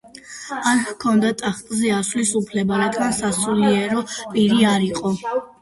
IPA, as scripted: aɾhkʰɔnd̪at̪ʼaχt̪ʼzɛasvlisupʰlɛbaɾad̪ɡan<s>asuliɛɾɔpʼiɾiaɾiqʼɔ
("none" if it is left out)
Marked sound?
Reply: s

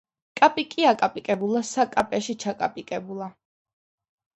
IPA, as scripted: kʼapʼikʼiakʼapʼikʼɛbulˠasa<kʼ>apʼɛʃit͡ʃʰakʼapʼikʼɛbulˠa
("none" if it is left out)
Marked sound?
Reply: kʼ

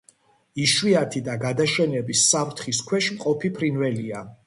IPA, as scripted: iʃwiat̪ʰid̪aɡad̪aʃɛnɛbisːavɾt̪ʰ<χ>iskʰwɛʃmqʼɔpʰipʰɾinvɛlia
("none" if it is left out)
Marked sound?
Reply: χ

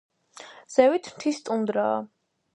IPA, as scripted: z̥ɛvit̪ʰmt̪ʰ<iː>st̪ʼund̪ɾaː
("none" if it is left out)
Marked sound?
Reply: i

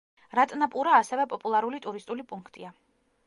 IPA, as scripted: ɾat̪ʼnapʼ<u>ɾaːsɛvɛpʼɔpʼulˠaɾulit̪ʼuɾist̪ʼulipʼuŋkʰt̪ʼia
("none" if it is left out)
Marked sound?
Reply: u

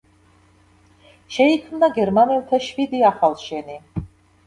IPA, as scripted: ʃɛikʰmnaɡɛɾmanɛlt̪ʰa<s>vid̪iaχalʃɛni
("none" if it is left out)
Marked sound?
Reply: ʃ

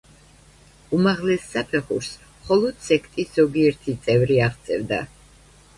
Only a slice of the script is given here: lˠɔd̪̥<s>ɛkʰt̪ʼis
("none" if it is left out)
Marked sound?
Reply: s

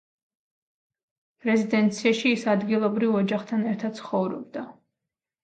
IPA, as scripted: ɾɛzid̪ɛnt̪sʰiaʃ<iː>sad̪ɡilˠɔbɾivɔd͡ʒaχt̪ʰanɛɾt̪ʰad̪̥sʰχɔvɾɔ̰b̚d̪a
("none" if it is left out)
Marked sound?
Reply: iː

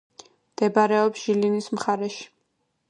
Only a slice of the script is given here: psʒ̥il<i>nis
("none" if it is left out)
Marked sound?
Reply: i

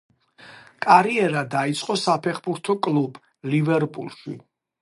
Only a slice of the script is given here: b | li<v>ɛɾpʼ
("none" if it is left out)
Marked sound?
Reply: v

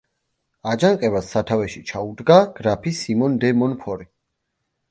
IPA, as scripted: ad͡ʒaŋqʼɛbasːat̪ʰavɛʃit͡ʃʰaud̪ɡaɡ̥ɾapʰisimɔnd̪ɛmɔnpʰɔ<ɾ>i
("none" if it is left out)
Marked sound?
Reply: ɾ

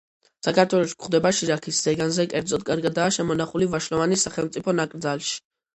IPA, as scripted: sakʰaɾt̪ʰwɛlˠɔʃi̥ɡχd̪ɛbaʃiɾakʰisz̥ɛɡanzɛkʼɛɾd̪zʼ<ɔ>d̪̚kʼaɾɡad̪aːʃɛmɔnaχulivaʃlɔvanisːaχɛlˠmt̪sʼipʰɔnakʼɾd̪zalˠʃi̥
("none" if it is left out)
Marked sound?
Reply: ɔ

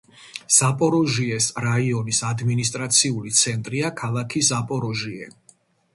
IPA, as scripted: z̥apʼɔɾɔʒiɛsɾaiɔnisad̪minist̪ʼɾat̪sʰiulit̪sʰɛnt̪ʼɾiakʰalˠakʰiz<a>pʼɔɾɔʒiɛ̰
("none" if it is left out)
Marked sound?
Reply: a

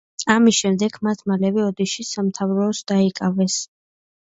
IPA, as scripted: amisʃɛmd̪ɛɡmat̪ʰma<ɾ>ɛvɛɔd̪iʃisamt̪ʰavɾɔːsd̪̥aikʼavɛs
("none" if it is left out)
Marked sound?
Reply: l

